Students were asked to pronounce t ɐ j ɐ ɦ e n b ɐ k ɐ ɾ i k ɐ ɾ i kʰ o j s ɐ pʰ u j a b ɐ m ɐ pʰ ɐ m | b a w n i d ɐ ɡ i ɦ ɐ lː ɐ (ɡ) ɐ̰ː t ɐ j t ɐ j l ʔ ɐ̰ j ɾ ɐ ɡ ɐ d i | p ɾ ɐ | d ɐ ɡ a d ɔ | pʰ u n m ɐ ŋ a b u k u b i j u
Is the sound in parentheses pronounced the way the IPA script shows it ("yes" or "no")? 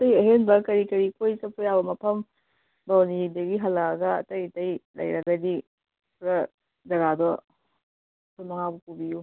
yes